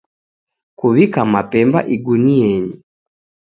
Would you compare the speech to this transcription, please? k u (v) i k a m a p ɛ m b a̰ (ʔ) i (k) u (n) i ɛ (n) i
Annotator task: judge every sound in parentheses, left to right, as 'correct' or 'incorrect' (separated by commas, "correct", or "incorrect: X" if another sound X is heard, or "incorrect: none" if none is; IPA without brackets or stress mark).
incorrect: β, correct, incorrect: ɡ, correct, incorrect: ɲ